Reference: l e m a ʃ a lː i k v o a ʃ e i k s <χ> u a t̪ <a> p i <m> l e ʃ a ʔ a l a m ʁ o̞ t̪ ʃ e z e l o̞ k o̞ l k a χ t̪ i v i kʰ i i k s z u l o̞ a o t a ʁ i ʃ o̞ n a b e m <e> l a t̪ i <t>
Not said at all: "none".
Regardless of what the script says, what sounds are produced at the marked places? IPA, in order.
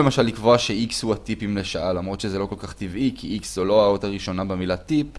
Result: h, i, m, i, p

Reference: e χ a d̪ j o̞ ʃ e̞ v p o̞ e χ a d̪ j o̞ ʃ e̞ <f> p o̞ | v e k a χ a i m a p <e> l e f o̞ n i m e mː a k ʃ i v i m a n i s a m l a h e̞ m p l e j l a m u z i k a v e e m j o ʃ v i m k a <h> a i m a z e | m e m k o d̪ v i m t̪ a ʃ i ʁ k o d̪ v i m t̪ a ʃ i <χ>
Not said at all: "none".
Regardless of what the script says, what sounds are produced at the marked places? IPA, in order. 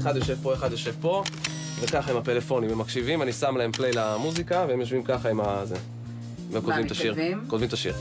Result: v, e, χ, ʁ

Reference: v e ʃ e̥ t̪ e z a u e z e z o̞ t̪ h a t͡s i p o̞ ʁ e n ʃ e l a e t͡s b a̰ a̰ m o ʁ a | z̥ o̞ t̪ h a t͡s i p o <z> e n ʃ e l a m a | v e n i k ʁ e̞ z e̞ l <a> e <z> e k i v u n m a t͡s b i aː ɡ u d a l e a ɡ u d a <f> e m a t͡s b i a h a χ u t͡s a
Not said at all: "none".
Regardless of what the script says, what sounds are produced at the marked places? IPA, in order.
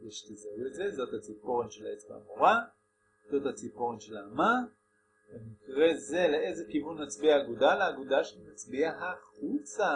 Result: ʁ, e, z, ʃ

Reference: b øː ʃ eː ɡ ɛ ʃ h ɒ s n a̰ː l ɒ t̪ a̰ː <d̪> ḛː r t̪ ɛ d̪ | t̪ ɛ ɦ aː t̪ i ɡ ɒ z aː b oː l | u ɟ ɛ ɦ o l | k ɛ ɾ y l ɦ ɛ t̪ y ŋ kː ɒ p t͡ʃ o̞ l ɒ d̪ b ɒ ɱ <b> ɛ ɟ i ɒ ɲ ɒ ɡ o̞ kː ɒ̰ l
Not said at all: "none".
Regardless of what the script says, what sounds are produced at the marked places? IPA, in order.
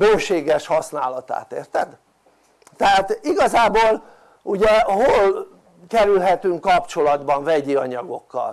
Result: t̪, v

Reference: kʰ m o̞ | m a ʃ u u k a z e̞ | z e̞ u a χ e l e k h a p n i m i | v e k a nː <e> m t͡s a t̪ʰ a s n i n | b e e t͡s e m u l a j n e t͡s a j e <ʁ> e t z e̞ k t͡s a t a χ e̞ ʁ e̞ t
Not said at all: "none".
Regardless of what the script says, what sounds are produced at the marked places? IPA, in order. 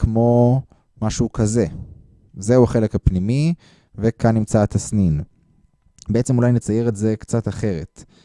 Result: i, ʁ

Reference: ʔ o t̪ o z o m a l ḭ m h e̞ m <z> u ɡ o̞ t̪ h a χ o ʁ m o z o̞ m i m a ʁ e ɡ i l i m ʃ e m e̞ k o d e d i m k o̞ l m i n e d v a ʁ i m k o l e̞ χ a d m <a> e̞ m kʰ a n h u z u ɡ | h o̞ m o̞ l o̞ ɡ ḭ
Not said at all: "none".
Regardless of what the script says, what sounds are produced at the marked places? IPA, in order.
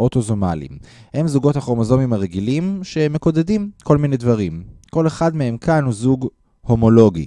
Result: z, e

